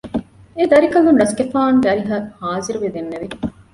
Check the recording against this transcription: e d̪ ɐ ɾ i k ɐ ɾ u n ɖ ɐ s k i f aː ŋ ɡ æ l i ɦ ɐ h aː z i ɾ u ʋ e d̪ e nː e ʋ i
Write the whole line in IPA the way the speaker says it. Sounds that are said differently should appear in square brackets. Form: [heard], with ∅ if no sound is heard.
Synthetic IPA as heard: e d̪ ɐ ɾ i k ɐ [l] u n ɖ ɐ s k [e] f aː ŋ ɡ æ [ɾ] i ɦ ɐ h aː z i ɾ u ʋ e d̪ e nː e ʋ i